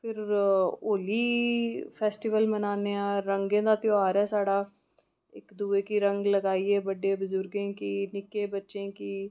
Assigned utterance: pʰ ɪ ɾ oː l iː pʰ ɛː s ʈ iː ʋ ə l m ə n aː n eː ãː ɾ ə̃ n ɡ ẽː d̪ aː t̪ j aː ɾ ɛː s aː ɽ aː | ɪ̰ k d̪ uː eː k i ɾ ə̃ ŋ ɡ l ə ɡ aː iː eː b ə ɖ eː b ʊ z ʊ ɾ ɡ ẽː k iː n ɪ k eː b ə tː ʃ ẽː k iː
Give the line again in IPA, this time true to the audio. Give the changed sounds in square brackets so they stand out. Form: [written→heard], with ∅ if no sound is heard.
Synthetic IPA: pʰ ɪ ɾ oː l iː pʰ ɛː s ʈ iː ʋ ə l m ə n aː n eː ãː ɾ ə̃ [n→ŋ] ɡ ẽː d̪ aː t̪ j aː ɾ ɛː s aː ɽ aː | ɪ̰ k d̪ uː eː k i ɾ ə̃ ŋ ɡ l ə ɡ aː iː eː b ə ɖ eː b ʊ z ʊ ɾ ɡ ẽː k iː n ɪ k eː b ə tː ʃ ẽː k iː